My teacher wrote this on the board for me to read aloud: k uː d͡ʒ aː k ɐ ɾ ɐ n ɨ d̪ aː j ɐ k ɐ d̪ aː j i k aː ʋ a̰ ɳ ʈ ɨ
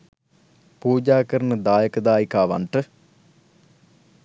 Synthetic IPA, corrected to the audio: p uː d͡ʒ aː k ɐ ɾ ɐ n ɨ d̪ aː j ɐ k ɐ d̪ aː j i k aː ʋ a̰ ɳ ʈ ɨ